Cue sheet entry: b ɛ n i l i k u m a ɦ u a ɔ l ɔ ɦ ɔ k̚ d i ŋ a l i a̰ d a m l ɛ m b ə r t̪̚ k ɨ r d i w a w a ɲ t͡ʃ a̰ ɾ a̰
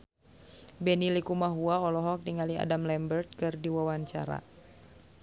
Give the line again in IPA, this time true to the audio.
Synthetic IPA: b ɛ n i l i k u m a ɦ u a ɔ l ɔ ɦ ɔ k̚ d i ŋ a l i a̰ d a m l ɛ m b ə r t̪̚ k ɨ r d i w a w a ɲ t͡ʃ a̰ ɾ a̰

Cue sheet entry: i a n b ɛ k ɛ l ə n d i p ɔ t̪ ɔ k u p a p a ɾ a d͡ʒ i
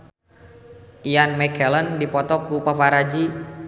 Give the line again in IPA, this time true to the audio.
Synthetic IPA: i a n m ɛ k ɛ l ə n d i p ɔ t̪ ɔ k u p a p a ɾ a d͡ʒ i

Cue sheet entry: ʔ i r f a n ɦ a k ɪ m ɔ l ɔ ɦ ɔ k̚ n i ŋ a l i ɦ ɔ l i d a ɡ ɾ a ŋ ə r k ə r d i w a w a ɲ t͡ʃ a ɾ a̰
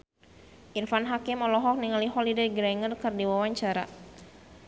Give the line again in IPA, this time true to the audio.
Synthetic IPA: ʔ i r f a n ɦ a k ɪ m ɔ l ɔ ɦ ɔ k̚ n i ŋ a l i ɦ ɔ l i d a ɡ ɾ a ŋ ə r k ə r d i w a w a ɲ t͡ʃ a ɾ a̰

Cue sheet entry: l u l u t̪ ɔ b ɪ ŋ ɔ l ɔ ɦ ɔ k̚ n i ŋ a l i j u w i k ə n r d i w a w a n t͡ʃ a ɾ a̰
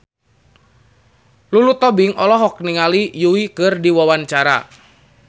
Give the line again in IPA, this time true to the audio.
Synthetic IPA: l u l u t̪ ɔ b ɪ ŋ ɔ l ɔ ɦ ɔ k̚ n i ŋ a l i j u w i k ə r d i w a w a n t͡ʃ a ɾ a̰

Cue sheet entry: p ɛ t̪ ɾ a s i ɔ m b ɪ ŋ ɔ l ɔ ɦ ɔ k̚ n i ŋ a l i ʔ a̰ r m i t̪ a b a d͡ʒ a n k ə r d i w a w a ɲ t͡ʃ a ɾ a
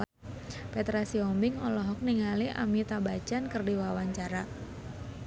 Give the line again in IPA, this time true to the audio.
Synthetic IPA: p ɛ t̪ ɾ a s i ɔ m b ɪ ŋ ɔ l ɔ ɦ ɔ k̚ n i ŋ a l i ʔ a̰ m i t̪ a b a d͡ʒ a n k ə r d i w a w a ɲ t͡ʃ a ɾ a

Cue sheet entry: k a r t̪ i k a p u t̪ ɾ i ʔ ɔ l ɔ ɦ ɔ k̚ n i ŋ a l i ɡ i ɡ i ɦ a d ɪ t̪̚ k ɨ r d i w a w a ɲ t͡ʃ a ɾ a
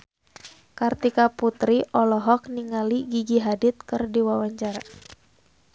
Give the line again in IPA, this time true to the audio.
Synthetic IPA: k a r t̪ i k a p u t̪ ɾ i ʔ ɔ l ɔ ɦ ɔ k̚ n i ŋ a l i ɡ i ɡ i ɦ a d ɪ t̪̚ k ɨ r d i w a w a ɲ t͡ʃ a ɾ a

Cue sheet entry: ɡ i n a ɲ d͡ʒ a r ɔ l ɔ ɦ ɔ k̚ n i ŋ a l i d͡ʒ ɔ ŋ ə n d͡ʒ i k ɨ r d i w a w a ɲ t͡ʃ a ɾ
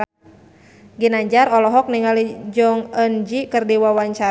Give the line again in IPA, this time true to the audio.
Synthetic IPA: ɡ i n a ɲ d͡ʒ a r ɔ l ɔ ɦ ɔ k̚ n i ŋ a l i d͡ʒ ɔ ŋ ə n d͡ʒ i k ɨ r d i w a w a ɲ t͡ʃ a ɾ

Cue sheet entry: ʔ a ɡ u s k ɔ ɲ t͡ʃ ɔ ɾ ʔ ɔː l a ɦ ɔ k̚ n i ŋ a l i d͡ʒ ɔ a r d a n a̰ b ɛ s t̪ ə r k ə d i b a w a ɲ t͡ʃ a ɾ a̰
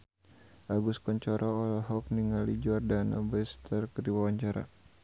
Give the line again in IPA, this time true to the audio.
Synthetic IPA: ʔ a ɡ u s k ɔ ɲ t͡ʃ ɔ ɾ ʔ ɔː l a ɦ ɔ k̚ n i ŋ a l i d͡ʒ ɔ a r d a n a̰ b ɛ s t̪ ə r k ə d i w a w a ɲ t͡ʃ a ɾ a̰

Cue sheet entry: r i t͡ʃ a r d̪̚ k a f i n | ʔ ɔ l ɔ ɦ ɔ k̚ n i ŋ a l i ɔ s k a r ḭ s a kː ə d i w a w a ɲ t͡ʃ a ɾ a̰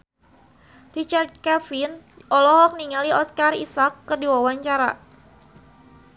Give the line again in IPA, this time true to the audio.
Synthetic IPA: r i t͡ʃ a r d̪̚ k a f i n | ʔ ɔ l ɔ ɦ ɔ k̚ n i ŋ a l i ɔ s k a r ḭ s a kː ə d i w a w a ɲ t͡ʃ a ɾ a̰

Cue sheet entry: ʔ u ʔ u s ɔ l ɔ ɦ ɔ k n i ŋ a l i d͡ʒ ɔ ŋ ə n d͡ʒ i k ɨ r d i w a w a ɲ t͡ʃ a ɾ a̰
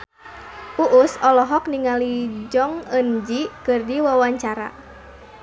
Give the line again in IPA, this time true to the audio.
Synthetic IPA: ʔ u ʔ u s ɔ l ɔ ɦ ɔ k n i ŋ a l i d͡ʒ ɔ ŋ ə n d͡ʒ i k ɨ r d i w a w a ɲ t͡ʃ a ɾ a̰

